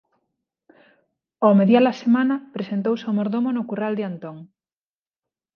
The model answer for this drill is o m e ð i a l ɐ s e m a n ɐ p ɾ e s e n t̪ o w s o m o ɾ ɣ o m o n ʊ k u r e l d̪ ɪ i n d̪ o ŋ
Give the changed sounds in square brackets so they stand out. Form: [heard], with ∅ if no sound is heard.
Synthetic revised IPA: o m e ð [j] a l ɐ s e m a n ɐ p ɾ e s e n t̪ o w s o m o ɾ [ð] o m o n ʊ k u r [a] l d̪ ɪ [a] n [t̪] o ŋ